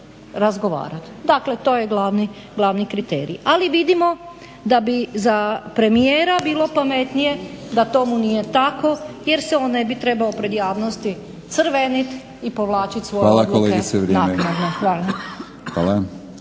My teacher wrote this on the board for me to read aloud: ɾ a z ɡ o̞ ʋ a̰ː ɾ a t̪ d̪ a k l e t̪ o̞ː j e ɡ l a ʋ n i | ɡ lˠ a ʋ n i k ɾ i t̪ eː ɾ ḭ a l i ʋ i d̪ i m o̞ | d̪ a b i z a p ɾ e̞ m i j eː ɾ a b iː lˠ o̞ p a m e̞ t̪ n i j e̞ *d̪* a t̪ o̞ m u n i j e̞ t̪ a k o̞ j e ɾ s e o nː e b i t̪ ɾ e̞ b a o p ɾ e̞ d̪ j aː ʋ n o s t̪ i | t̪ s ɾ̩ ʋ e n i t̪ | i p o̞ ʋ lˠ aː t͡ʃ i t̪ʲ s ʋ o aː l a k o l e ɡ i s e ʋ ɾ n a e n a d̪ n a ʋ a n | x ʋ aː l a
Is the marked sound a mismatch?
no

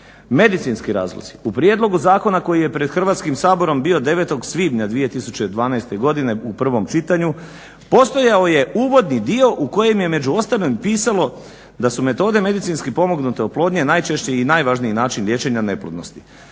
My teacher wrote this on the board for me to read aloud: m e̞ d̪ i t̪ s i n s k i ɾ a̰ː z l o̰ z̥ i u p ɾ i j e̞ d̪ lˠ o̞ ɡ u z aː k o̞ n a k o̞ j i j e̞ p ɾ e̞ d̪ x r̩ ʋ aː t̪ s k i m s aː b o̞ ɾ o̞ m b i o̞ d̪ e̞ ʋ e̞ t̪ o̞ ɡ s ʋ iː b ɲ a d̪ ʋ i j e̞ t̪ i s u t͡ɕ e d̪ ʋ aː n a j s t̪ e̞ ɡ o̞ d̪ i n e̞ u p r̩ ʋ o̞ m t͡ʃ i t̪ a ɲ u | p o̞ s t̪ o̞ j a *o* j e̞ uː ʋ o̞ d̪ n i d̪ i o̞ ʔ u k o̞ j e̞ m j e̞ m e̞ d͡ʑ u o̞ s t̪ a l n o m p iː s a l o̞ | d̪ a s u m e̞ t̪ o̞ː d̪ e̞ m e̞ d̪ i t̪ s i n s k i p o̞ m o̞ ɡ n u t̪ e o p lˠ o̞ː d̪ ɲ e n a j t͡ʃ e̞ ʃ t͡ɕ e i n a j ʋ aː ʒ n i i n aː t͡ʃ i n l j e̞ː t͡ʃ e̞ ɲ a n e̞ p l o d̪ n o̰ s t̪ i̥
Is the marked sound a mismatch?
no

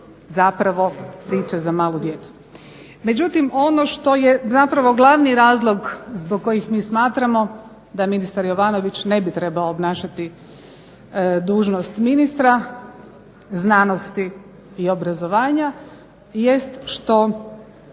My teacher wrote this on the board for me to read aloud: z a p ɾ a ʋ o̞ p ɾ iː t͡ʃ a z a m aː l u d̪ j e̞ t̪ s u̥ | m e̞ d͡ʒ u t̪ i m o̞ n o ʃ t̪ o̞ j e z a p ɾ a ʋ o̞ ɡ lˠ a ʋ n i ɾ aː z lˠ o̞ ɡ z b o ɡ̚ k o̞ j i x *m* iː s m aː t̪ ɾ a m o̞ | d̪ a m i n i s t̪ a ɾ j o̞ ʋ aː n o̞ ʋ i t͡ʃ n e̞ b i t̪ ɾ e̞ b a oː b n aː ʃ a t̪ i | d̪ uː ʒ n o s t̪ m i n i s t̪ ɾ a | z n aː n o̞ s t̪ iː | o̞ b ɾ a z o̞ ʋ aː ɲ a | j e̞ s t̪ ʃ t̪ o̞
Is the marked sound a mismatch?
no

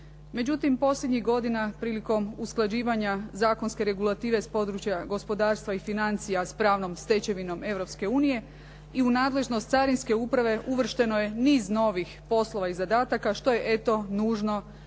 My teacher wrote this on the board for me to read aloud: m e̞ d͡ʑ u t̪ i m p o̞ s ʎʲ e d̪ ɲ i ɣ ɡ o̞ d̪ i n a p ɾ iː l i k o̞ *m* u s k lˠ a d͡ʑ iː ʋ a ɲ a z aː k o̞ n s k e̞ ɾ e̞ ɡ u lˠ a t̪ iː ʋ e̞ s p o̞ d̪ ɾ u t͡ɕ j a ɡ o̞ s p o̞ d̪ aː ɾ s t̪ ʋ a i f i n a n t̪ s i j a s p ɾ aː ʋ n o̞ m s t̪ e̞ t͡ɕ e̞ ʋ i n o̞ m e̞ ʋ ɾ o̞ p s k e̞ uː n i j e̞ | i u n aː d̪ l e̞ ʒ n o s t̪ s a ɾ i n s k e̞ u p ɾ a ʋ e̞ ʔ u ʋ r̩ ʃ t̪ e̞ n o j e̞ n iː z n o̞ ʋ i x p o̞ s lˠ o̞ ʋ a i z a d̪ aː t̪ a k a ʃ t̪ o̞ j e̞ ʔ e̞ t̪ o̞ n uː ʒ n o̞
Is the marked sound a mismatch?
no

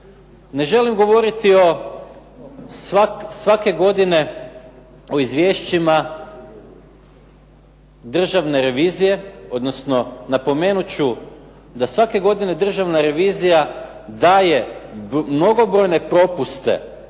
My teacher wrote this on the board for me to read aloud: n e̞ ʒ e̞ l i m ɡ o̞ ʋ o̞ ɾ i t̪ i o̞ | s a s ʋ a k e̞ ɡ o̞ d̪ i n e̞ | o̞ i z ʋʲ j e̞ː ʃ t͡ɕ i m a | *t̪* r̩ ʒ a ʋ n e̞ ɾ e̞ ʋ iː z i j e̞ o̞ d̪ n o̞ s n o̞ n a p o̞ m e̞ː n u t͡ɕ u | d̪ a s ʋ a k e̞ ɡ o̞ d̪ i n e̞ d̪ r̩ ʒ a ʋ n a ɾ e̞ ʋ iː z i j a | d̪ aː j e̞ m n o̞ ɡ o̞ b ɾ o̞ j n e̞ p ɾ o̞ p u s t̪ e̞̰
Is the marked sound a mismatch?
yes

